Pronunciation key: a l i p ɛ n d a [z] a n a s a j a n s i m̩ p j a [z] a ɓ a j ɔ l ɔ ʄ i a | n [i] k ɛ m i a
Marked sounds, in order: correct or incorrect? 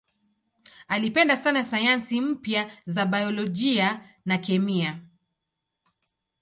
incorrect: s, correct, incorrect: a

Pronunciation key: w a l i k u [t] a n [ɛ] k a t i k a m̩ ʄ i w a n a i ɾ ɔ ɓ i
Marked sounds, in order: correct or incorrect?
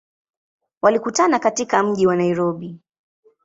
correct, incorrect: a

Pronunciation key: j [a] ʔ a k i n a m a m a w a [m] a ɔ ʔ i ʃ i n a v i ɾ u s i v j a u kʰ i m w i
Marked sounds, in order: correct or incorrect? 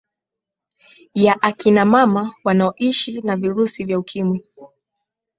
correct, incorrect: n

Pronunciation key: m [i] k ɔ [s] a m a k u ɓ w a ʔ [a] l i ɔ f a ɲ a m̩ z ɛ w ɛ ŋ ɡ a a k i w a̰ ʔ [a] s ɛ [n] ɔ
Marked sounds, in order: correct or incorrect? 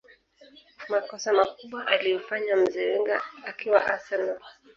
incorrect: a, correct, correct, correct, correct

